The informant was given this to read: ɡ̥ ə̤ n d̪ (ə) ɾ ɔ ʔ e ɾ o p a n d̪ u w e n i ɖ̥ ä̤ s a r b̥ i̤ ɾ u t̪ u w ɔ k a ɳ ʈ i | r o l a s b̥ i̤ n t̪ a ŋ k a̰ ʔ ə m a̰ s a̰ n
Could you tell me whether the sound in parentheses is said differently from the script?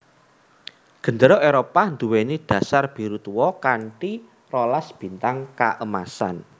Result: no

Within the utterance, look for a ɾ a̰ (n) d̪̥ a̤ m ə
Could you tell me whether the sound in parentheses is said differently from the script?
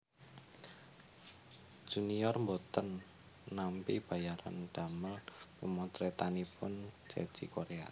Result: no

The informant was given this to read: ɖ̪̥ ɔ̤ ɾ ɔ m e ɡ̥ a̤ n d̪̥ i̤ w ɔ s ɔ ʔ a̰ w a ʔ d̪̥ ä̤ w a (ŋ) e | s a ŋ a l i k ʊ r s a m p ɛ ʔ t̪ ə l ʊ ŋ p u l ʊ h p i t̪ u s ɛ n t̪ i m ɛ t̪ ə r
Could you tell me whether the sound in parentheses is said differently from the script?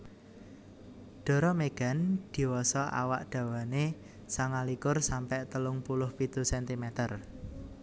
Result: yes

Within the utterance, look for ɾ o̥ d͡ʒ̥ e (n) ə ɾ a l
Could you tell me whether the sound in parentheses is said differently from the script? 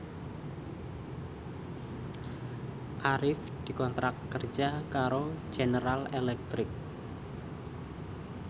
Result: no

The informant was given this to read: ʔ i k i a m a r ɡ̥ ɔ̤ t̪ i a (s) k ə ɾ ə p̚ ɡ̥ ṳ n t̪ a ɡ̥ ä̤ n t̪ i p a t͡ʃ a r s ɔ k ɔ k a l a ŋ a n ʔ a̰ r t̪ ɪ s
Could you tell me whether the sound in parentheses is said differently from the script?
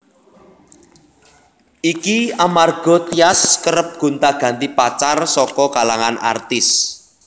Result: no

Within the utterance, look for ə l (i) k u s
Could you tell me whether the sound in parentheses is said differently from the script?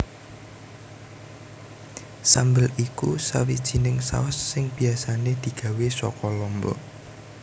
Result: no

